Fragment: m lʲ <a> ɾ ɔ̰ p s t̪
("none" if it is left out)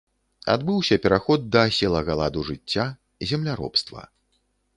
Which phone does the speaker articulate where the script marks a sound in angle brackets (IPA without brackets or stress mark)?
a